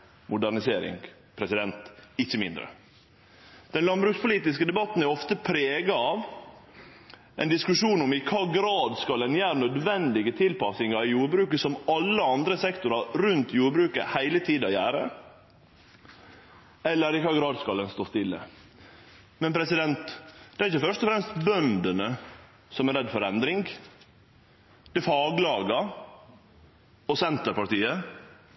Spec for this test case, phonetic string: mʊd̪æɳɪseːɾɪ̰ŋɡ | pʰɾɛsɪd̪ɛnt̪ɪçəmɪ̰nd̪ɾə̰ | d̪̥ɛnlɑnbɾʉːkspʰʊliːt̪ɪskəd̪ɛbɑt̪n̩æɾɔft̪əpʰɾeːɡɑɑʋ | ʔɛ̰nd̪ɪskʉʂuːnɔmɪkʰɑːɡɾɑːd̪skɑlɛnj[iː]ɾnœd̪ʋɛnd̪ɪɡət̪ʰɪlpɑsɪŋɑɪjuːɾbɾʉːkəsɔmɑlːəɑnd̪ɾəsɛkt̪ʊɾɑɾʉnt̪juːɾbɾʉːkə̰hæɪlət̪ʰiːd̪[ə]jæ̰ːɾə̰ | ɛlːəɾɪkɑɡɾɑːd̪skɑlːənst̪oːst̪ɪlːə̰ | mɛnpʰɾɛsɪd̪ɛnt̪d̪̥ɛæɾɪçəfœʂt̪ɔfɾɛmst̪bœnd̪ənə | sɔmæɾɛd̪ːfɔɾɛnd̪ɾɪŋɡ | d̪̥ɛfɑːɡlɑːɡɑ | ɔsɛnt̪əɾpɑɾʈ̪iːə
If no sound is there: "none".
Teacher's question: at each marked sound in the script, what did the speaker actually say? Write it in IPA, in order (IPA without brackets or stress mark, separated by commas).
æː, ɑ